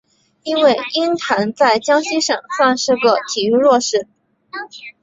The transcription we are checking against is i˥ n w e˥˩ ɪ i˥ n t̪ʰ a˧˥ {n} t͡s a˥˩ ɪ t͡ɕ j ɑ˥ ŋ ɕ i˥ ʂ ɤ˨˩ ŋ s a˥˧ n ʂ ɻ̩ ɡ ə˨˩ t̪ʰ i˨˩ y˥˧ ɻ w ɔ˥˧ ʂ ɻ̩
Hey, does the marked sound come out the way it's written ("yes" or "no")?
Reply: yes